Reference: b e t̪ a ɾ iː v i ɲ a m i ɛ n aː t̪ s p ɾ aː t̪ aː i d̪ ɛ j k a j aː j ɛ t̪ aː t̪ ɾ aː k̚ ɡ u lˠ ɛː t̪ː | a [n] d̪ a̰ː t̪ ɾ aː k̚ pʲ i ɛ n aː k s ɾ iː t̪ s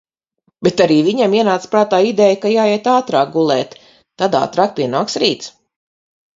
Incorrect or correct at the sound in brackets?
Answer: incorrect: none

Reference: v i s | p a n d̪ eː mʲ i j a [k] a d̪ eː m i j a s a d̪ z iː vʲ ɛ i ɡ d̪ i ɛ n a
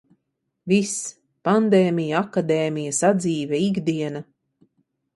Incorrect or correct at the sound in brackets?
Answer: correct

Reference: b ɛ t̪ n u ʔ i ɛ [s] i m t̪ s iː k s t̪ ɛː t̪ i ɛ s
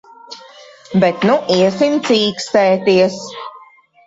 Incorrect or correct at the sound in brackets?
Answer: correct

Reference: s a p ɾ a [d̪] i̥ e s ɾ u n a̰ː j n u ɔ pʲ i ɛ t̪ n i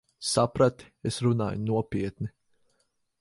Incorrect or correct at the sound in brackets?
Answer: incorrect: t̪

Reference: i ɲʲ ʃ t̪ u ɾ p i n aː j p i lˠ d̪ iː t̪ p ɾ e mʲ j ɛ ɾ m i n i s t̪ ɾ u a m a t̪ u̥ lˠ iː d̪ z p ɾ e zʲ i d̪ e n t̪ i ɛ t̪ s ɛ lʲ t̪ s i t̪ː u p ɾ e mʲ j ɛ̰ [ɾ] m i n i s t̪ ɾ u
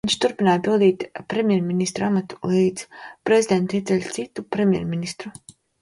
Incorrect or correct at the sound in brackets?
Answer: correct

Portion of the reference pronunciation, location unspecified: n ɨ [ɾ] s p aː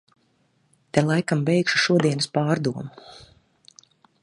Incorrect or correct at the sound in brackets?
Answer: incorrect: none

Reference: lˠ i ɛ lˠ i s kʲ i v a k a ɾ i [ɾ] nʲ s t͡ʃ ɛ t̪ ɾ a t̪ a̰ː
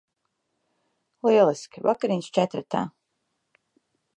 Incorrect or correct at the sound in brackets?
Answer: incorrect: none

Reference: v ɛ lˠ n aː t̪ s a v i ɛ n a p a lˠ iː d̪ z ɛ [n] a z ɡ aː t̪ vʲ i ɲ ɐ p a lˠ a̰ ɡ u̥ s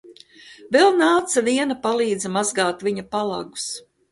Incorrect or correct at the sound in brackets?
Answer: incorrect: m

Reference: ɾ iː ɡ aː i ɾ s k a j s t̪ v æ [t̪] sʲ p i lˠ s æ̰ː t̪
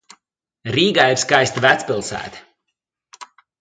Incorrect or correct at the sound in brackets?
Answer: correct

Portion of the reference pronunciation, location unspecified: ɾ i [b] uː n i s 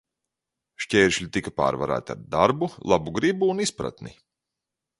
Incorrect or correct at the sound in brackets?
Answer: correct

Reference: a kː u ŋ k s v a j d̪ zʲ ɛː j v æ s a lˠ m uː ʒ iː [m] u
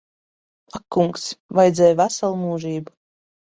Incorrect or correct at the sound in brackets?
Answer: incorrect: b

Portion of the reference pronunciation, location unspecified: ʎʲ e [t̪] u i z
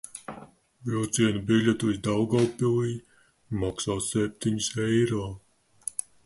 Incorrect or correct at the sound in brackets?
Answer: correct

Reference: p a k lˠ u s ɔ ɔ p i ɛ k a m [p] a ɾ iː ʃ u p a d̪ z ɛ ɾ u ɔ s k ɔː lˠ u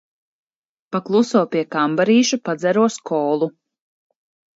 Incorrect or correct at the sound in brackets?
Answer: incorrect: b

